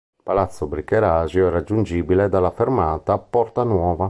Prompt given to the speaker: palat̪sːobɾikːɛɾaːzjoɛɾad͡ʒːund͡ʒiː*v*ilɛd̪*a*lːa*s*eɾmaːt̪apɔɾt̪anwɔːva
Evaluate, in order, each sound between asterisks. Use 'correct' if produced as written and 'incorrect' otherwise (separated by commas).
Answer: incorrect, correct, incorrect